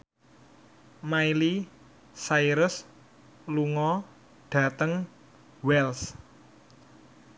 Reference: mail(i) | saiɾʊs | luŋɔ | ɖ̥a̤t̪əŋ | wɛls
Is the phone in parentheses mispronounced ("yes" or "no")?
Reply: no